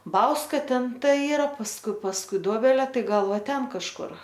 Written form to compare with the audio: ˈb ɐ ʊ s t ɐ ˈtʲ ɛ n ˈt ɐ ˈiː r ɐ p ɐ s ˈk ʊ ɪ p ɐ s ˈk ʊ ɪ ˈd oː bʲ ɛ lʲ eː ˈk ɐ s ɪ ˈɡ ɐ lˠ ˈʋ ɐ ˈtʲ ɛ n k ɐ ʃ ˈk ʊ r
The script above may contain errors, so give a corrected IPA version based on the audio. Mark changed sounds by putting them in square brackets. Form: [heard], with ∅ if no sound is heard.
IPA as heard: ˈb ɐ ʊ s [k] ɐ ˈtʲ ɛ n ˈt ɐ ˈiː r ɐ p ɐ s ˈk ʊ ɪ p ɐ s ˈk ʊ ɪ ˈd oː bʲ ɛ lʲ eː [ˈt] ɐ [∅] ɪ ˈɡ ɐ lˠ ˈʋ ɐ ˈtʲ ɛ n k ɐ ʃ ˈk ʊ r